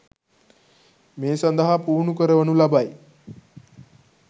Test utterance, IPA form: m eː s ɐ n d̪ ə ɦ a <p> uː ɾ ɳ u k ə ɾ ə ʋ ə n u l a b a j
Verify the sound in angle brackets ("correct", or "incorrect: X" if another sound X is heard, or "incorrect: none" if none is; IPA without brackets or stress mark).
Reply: correct